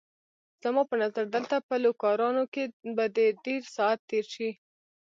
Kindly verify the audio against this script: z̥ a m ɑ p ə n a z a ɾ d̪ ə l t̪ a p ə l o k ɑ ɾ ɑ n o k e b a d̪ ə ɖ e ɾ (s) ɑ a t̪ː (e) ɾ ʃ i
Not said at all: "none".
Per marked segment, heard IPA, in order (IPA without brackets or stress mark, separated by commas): s, e